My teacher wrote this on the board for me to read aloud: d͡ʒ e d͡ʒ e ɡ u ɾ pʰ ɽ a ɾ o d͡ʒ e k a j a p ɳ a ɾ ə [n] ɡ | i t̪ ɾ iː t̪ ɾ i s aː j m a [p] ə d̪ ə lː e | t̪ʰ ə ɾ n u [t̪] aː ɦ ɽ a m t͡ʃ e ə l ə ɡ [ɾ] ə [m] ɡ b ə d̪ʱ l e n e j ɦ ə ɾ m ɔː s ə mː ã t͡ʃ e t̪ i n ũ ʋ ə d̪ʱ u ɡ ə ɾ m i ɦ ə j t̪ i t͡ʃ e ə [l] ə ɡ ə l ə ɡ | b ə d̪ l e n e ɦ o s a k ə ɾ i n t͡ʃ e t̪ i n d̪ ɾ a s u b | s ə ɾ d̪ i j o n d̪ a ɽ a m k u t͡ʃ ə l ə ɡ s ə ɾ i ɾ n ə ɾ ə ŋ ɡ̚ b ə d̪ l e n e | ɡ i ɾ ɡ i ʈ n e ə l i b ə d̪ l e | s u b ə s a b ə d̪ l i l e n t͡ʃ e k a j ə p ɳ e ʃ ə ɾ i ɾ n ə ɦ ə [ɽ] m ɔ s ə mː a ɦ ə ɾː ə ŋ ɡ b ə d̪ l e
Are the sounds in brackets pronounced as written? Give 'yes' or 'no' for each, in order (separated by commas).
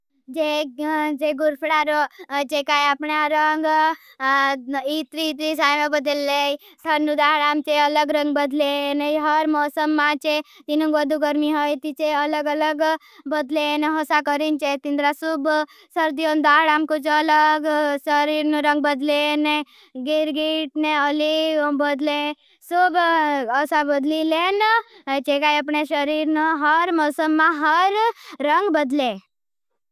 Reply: no, no, no, yes, no, yes, no